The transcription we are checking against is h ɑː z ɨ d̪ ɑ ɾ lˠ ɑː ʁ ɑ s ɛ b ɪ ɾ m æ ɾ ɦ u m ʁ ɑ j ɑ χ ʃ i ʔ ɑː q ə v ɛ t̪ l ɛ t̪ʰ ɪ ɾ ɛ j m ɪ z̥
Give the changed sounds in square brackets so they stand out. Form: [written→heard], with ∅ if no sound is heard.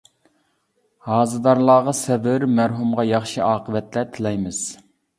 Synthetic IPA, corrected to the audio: h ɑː z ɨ d̪ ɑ ɾ lˠ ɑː ʁ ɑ s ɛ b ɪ ɾ m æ ɾ ɦ u m ʁ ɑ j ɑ χ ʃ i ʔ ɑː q ə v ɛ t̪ l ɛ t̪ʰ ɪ [ɾ→l] ɛ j m ɪ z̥